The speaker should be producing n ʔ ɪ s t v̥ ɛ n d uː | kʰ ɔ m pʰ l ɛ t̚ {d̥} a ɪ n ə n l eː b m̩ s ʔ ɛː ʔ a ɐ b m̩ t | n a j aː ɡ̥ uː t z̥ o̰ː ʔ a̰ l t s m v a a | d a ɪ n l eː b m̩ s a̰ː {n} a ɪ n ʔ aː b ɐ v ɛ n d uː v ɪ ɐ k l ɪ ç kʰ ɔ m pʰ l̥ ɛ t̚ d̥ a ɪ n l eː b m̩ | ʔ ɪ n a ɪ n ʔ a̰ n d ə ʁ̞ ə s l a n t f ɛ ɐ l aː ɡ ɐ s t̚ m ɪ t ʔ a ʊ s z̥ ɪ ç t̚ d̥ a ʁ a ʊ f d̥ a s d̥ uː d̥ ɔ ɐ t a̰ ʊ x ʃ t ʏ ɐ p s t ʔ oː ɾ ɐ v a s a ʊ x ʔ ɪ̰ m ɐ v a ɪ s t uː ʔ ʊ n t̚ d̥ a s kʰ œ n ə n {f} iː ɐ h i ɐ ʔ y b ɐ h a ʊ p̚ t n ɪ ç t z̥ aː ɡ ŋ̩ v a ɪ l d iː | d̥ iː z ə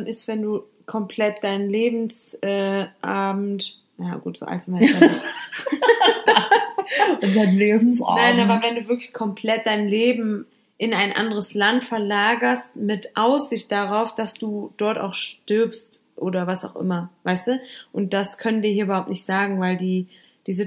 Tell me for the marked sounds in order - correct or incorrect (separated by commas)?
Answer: correct, correct, incorrect